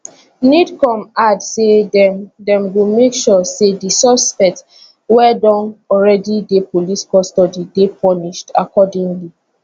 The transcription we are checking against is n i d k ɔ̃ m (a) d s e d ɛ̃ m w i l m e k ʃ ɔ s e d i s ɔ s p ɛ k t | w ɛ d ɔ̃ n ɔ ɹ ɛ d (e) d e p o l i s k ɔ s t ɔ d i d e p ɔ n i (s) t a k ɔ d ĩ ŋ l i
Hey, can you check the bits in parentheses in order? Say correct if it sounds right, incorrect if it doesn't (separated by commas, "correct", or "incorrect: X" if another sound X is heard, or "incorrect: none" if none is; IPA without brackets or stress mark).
correct, incorrect: i, incorrect: ʃ